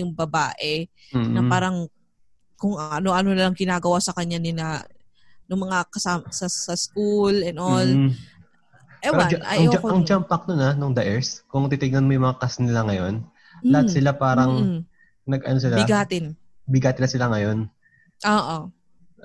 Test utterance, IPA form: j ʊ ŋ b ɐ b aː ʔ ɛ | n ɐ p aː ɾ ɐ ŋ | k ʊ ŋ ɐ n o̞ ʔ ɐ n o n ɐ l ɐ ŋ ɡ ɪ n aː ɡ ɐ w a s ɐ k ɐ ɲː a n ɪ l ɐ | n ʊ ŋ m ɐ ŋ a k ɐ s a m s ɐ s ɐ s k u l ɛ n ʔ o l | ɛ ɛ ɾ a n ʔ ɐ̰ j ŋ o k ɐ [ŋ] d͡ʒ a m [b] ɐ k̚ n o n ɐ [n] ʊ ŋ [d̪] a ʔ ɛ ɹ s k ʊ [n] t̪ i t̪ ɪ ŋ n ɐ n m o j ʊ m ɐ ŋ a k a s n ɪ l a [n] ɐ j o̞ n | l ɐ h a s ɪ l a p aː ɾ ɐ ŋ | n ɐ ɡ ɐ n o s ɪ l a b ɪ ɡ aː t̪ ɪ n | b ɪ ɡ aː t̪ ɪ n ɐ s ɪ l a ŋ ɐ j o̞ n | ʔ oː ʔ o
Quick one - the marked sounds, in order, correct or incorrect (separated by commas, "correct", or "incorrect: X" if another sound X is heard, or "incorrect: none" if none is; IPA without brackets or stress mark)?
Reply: correct, incorrect: p, correct, correct, incorrect: ŋ, incorrect: ŋ